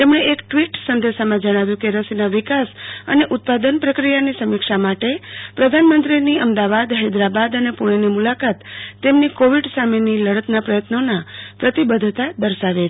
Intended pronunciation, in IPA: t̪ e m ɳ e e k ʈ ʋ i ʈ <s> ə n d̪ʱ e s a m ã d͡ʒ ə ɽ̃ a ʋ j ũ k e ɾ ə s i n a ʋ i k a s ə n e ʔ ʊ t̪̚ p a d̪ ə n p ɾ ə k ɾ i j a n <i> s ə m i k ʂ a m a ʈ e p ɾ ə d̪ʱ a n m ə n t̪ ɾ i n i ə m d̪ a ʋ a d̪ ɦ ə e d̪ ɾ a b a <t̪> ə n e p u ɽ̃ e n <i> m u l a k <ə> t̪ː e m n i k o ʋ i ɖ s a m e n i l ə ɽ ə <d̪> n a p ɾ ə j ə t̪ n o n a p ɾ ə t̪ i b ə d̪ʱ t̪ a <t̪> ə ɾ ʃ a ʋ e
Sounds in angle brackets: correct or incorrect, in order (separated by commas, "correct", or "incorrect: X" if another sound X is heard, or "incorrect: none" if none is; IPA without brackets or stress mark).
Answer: correct, correct, incorrect: d̪, correct, incorrect: a, incorrect: t̪, incorrect: d̪